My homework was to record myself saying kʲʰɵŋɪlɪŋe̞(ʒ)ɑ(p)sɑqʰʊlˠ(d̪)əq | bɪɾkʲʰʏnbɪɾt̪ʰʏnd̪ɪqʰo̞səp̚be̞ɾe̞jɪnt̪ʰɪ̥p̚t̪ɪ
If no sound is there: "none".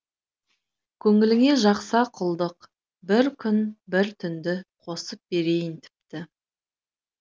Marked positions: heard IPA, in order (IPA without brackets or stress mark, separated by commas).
ʒ, q, d̪